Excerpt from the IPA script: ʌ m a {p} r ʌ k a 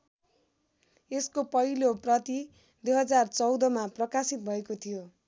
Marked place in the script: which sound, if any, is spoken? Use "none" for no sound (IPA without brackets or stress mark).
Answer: p